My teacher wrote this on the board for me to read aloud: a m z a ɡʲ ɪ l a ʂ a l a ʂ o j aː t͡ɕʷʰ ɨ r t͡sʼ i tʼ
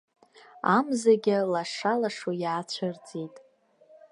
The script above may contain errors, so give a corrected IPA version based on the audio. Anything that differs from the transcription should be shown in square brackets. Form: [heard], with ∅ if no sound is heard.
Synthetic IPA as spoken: a m z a ɡʲ ɪ l a ʂ a l a ʂ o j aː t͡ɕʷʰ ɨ r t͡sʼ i tʼ